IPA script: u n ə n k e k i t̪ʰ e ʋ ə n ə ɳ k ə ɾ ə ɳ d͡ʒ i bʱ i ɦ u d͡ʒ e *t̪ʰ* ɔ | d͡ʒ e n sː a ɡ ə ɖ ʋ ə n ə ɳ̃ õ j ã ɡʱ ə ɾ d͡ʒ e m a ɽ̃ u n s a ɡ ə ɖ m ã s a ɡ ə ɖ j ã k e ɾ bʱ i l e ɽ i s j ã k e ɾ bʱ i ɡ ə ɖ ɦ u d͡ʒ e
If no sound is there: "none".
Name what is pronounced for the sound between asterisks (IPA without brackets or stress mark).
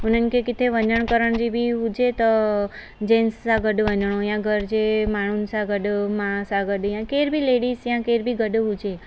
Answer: t̪